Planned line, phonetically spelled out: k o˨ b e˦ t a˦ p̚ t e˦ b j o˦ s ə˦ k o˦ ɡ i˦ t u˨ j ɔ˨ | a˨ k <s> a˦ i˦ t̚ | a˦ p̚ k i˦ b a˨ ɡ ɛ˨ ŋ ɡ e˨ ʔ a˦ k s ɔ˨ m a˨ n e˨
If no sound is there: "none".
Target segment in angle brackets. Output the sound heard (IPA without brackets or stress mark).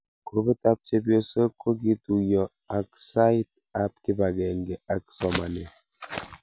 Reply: s